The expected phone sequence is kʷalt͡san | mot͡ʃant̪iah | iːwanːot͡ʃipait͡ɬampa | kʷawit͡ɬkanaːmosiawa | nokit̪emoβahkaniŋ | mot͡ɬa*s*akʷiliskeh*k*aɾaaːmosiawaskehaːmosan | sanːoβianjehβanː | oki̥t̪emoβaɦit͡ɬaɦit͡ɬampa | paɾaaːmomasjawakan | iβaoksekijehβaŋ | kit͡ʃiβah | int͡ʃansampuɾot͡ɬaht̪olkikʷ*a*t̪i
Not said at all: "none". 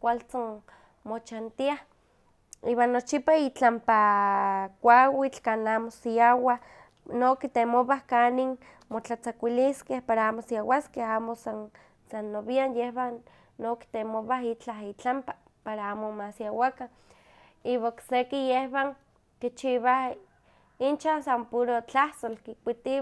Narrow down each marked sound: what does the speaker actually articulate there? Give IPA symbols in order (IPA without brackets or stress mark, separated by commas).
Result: t͡s, p, i